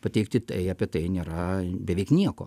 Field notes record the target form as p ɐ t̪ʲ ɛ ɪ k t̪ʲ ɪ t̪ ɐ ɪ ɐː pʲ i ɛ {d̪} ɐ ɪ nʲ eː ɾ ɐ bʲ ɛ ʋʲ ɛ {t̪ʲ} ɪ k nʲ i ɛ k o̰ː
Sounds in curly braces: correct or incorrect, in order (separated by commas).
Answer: incorrect, incorrect